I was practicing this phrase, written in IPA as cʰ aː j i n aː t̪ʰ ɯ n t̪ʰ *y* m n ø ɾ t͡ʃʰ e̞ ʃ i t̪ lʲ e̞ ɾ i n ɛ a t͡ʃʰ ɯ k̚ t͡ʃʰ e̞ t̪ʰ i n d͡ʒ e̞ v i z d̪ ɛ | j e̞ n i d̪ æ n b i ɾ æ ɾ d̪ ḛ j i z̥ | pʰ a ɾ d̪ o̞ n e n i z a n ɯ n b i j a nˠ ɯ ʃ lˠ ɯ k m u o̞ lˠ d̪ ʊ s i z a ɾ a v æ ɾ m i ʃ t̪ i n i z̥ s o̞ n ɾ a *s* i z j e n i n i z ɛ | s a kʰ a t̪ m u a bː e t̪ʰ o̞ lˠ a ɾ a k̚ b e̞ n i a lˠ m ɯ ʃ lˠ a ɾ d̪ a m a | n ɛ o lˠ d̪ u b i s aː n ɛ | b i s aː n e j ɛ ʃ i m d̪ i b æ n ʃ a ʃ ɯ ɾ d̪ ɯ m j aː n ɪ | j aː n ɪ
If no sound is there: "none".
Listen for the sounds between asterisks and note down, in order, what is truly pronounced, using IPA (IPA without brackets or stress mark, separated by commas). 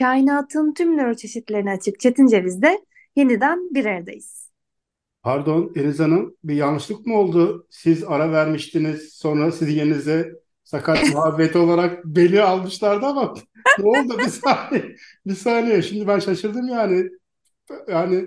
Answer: y, s